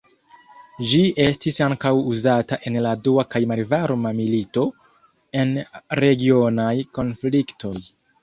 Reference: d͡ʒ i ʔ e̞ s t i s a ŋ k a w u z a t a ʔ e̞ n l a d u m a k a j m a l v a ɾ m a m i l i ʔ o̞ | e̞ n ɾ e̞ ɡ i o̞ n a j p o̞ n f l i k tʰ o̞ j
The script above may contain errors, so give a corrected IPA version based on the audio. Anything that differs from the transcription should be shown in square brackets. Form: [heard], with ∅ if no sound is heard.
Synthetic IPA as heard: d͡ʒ i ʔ e̞ s t i s a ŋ k a w u z a t a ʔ e̞ n l a d u [∅] a k a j m a l v a ɾ m a m i l i [t] o̞ | e̞ n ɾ e̞ ɡ i o̞ n a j [k] o̞ n f l i k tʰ o̞ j